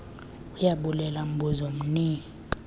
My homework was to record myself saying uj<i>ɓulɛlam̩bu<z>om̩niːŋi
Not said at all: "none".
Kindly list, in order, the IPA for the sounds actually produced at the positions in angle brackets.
a, z

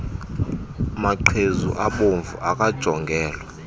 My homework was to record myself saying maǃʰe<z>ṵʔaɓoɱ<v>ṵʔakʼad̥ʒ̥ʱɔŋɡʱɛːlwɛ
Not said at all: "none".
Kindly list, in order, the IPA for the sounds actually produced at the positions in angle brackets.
z, v

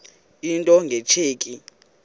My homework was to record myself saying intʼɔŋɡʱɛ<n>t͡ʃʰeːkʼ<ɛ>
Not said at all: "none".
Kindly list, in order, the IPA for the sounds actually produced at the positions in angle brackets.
none, i

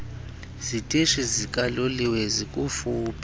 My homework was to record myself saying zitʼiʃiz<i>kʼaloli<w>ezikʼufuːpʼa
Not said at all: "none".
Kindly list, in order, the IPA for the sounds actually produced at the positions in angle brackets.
i, w

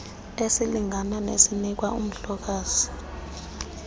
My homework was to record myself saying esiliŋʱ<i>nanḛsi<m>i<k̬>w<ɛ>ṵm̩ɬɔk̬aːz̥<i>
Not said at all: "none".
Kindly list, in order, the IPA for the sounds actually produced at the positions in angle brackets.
a, n, k̬, a, i

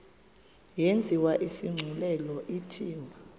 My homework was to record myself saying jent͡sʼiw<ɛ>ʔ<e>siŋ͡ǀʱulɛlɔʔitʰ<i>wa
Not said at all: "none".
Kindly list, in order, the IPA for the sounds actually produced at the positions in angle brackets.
a, i, iː

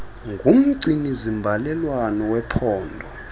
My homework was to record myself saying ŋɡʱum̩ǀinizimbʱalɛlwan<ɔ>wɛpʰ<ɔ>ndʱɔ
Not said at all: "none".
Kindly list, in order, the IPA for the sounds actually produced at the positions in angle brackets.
ɔ, ɔː

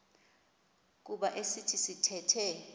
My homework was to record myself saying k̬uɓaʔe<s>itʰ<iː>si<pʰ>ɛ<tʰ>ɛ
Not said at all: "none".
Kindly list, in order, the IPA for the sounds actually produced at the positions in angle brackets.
s, i, tʰ, tʰ

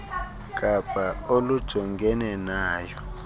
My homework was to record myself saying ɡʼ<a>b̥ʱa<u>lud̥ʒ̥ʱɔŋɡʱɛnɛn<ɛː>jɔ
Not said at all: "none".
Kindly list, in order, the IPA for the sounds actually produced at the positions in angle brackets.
a, o, aː

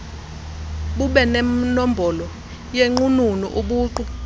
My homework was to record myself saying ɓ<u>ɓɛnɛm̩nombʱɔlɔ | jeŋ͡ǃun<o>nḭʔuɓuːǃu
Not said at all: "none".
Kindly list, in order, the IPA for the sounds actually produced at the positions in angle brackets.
u, u

